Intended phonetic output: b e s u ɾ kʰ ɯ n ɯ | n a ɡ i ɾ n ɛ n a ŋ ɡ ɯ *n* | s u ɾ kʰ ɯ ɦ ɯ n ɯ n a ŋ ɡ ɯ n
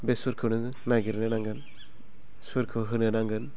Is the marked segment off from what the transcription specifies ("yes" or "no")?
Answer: no